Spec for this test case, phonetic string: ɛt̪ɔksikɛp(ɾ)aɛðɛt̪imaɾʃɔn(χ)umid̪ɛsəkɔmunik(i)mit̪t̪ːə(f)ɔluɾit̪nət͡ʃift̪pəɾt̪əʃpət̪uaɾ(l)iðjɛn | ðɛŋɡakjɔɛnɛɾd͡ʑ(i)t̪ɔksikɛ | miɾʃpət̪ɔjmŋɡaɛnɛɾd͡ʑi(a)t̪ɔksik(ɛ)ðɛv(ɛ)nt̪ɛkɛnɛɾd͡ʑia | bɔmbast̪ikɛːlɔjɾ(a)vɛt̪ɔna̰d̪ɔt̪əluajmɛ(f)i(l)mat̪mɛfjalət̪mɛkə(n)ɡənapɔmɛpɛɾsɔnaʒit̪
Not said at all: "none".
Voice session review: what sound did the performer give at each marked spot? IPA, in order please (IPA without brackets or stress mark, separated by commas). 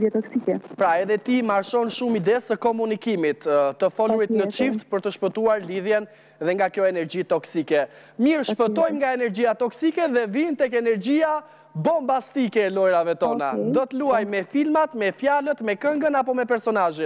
ɾ, ʃ, i, f, l, i, a, ɛ, i, a, f, l, ŋ